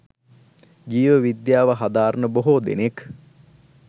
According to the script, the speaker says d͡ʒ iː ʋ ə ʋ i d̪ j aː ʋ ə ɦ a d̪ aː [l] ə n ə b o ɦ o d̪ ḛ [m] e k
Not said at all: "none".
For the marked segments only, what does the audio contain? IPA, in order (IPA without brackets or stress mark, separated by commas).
ɾ, n